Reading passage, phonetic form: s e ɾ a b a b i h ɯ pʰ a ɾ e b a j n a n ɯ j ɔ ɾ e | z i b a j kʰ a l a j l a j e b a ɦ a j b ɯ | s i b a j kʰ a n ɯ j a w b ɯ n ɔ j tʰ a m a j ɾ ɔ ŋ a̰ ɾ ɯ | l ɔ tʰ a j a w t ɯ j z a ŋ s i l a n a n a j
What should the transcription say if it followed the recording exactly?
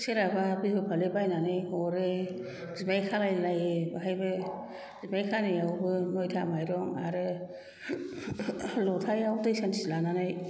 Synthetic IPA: s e ɾ a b a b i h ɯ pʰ a l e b a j n a n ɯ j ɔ ɾ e | z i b a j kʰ a l a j l a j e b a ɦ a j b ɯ | z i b a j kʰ a n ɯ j a w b ɯ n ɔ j tʰ a m a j ɾ ɔ ŋ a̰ ɾ ɯ | l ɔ tʰ a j a w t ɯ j s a n s i l a n a n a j